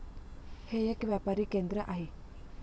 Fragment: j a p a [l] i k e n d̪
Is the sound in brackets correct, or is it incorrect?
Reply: incorrect